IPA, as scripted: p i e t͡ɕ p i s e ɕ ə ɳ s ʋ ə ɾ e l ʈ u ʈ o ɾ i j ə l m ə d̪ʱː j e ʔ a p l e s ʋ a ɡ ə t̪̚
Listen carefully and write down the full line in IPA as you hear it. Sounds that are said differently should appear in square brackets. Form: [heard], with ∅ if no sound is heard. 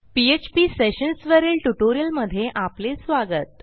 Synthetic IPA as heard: p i e t͡ɕ p i s e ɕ ə [n] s ʋ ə ɾ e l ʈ u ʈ o ɾ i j ə l m ə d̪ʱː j e ʔ a p l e s ʋ a ɡ ə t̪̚